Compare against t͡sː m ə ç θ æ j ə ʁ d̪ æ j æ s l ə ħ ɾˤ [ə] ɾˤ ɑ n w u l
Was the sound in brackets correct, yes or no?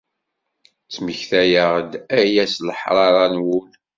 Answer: no